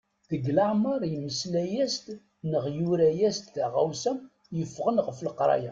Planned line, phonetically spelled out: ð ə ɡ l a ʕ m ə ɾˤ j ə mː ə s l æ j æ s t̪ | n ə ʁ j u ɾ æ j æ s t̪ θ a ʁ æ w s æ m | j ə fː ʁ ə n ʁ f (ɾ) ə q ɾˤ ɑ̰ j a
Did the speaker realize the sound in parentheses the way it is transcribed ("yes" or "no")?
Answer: no